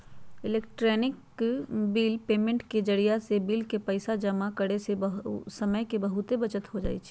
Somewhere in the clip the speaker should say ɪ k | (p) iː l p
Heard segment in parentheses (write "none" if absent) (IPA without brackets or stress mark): b